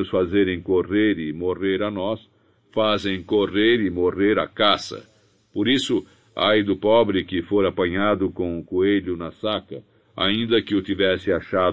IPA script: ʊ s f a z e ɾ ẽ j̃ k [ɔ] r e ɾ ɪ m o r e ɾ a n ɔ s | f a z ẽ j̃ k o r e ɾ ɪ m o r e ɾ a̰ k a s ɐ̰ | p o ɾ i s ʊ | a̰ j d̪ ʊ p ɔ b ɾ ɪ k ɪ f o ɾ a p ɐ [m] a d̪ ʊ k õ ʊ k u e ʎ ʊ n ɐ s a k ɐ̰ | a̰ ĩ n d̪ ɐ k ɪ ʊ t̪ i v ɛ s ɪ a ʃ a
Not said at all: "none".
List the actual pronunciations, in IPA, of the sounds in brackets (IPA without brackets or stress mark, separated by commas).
o, ɲ